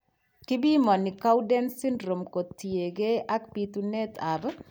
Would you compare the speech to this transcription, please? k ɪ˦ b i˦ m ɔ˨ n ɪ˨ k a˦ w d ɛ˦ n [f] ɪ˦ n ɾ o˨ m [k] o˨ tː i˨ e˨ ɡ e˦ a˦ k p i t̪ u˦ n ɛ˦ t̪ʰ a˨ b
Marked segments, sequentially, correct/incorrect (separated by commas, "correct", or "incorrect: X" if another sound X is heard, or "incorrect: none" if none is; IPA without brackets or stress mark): incorrect: s, correct